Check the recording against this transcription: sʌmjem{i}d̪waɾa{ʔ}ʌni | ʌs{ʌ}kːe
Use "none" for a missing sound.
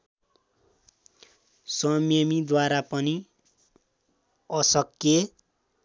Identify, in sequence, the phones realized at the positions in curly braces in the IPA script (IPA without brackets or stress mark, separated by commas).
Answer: i, p, ʌ